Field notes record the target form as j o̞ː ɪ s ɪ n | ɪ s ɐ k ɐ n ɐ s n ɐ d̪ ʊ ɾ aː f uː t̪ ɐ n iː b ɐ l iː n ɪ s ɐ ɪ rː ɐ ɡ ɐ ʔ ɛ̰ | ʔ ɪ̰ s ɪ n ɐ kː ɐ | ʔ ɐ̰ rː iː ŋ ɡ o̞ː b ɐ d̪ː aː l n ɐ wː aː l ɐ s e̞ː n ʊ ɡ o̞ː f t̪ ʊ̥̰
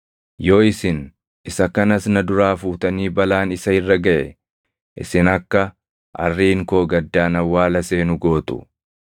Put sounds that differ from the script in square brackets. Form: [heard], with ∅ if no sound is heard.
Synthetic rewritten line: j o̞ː ɪ s ɪ n | ɪ s ɐ k ɐ n ɐ s n ɐ d̪ ʊ ɾ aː f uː t̪ ɐ n iː b ɐ l [aː] n ɪ s ɐ ɪ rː ɐ ɡ ɐ ʔ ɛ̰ | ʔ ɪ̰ s ɪ n ɐ kː ɐ | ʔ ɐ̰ rː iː ŋ [k] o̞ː [ɡ] ɐ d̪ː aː [∅] n ɐ wː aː l ɐ s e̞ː n ʊ ɡ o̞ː [∅] t̪ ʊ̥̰